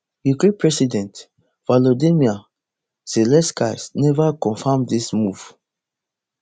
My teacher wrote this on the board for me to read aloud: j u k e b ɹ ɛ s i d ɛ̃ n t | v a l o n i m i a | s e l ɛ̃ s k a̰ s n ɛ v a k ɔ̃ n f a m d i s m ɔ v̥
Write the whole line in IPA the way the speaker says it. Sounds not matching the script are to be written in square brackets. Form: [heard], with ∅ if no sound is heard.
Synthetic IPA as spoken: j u k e [p] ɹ ɛ s i d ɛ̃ n t | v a l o [d] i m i a | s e l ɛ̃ s k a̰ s n ɛ v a k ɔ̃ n f a m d i s m [u] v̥

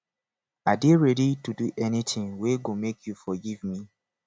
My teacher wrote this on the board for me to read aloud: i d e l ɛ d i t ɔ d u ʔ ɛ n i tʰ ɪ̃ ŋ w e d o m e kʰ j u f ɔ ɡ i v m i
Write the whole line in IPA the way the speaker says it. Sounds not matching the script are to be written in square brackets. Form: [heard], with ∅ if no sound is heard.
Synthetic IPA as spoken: [a] d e [ɹ] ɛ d i t [u] d u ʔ ɛ n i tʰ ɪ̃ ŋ w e [ɡ] o m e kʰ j u f ɔ ɡ i v m i

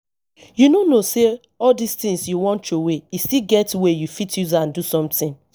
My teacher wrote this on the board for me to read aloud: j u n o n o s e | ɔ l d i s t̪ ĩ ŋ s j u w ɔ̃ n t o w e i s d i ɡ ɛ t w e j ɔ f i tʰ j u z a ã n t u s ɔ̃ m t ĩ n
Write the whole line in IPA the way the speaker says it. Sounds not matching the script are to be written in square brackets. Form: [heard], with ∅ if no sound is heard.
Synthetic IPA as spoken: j u n o n o s e | ɔ l d i s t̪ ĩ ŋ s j u w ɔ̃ n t o w e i s [t] i ɡ ɛ t w e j [u] f i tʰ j u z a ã n [d] u s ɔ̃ m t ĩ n

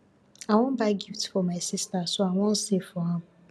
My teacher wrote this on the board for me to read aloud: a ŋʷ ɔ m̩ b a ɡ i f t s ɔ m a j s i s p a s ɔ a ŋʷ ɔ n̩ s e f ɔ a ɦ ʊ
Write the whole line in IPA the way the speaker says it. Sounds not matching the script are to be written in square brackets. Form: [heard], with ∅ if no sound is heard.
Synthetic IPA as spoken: a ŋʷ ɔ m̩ b a ɡ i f t [f] ɔ m a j s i s [t] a s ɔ a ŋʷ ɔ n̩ s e f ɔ a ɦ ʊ

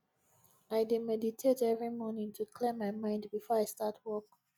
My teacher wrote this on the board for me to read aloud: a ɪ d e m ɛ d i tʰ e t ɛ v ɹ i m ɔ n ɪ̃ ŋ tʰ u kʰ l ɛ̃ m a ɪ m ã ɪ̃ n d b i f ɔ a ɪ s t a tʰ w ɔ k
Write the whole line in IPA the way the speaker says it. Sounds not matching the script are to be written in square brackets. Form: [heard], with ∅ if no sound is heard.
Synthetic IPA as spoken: a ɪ d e m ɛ d i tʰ e t ɛ v ɹ i m ɔ n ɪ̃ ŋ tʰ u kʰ l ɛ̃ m a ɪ m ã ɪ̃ n d b i f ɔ a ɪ s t a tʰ w ɔ k

